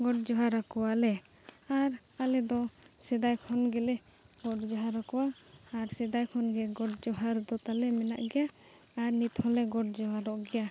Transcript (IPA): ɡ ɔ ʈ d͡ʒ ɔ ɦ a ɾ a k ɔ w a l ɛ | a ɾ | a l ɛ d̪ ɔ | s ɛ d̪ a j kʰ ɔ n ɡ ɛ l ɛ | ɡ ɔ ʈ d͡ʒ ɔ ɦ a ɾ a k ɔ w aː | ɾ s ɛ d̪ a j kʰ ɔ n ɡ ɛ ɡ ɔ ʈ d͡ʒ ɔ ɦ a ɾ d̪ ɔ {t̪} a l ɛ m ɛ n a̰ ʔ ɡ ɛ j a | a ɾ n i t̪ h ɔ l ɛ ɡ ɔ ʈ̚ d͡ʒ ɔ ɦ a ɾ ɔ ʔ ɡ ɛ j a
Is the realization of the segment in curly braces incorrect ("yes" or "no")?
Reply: no